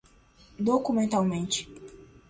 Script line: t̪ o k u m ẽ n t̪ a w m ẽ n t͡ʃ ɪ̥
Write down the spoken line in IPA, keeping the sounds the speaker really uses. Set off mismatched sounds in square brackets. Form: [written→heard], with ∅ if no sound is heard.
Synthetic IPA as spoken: [t̪→d̪] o k u m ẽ n t̪ a w m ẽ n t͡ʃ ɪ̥